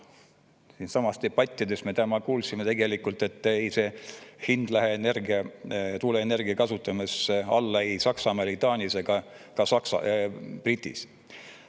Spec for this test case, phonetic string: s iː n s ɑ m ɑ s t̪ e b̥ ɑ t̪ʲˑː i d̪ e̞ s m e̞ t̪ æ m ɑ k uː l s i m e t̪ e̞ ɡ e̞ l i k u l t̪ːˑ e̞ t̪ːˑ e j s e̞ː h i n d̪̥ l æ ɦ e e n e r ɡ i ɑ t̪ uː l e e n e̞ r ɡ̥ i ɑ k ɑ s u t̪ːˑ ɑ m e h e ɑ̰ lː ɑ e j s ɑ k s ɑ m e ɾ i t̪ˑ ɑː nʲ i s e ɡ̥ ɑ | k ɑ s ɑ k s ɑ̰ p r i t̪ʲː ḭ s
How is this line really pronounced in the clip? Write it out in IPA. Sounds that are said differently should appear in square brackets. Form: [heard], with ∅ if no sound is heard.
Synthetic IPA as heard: s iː n s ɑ m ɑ s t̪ e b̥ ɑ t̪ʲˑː i d̪ e̞ s m e̞ t̪ æ m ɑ k uː l s i m e t̪ e̞ ɡ e̞ l i k u l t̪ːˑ e̞ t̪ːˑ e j s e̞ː h i n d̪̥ l æ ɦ e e n e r ɡ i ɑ t̪ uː l e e n e̞ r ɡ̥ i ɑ k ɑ s u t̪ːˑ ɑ m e [s] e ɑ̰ lː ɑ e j s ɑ k s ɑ m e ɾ i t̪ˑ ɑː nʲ i s e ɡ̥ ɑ | k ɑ s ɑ k s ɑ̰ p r i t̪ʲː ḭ s